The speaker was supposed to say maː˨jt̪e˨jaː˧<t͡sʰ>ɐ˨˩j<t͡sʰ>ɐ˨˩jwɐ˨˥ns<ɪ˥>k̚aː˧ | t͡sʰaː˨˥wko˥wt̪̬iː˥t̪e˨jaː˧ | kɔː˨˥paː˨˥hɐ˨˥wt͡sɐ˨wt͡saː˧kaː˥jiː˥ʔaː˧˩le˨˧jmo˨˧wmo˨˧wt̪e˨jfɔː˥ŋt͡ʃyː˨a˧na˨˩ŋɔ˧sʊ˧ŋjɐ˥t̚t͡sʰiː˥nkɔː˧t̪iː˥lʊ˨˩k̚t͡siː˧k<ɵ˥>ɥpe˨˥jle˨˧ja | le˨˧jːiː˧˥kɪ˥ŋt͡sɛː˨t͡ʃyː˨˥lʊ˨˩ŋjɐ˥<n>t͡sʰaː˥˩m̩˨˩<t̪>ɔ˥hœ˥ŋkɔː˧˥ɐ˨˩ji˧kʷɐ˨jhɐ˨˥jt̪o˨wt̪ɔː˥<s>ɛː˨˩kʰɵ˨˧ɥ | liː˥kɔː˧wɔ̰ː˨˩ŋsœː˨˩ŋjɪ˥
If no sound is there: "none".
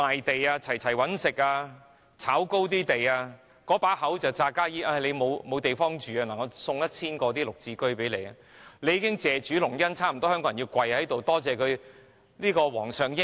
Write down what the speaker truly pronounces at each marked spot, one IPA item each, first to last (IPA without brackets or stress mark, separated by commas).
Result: t͡sʰ, t͡sʰ, ɪ˨, ɵ˥, n, t̪, t͡s